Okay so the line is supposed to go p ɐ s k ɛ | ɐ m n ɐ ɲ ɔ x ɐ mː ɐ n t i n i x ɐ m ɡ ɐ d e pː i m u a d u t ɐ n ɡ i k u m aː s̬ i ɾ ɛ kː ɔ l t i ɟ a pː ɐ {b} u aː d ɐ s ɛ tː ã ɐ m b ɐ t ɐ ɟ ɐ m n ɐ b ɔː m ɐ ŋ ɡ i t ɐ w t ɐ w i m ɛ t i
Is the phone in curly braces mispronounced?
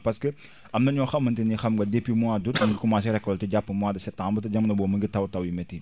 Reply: yes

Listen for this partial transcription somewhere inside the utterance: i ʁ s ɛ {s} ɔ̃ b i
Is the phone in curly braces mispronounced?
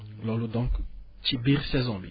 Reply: yes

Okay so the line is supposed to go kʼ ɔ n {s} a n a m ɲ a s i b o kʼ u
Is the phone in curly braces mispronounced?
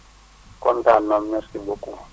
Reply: yes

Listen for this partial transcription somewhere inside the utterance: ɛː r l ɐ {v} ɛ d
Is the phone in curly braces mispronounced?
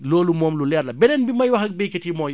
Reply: yes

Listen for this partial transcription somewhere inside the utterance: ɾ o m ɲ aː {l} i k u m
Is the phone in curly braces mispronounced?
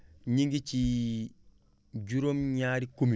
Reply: yes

